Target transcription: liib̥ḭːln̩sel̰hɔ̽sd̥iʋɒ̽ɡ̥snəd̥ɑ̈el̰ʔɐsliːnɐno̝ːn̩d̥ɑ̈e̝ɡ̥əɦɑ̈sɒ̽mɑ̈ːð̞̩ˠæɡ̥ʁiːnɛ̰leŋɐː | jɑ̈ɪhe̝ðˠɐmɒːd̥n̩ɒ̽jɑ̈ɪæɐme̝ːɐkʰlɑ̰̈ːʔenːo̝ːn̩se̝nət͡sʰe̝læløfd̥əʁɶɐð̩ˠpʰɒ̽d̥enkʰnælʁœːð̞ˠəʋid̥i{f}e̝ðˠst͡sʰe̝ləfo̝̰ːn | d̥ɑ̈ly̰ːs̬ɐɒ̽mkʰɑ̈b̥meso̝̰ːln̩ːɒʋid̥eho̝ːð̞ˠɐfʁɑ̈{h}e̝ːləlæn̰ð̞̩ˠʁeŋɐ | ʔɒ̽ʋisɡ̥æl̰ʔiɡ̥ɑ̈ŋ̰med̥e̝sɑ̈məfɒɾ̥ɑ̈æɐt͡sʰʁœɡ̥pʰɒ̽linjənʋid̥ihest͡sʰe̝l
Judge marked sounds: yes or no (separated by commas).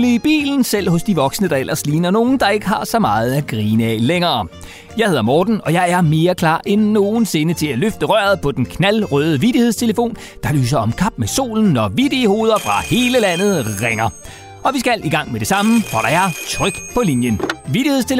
no, yes